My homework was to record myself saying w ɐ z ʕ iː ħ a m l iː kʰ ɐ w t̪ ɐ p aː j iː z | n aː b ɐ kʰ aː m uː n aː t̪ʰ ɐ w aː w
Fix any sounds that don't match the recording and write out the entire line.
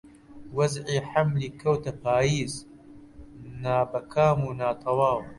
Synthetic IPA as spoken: w ɐ z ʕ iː ħ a m l iː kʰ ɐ w t̪ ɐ p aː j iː z | n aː b ɐ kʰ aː m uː n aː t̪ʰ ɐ w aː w